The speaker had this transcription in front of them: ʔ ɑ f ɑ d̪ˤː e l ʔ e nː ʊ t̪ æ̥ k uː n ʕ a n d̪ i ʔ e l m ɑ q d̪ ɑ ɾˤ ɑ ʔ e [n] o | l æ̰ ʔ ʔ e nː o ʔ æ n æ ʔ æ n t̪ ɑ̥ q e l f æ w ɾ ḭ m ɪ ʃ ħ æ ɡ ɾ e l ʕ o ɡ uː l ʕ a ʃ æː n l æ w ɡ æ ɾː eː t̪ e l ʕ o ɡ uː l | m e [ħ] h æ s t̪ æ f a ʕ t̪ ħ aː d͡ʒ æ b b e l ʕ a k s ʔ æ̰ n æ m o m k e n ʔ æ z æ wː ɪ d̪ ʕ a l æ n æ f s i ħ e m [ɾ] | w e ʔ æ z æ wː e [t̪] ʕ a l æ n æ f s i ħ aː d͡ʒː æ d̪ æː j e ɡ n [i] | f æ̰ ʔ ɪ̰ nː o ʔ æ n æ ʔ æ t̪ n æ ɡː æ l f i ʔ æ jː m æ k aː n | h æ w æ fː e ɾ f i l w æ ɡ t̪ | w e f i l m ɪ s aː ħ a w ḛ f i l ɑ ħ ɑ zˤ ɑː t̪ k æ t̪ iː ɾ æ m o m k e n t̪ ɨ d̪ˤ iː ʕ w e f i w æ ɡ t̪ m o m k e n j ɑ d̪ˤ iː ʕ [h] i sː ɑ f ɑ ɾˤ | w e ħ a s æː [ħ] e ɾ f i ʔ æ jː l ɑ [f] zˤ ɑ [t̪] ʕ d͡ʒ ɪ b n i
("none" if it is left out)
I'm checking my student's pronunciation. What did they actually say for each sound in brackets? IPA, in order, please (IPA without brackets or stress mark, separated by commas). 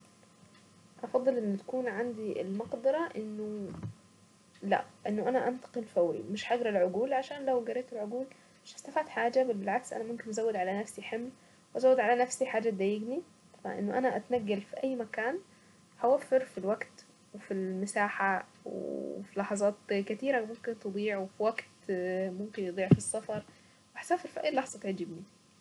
nː, ʃ, l, d̪, i, f, f, ħ, t̪